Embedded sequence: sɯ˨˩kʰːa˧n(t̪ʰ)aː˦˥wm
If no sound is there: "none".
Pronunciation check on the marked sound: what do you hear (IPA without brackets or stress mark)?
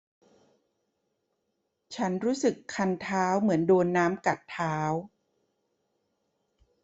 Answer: t̪ʰ